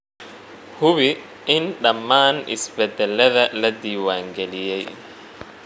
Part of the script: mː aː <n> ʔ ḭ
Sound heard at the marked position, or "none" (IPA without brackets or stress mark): n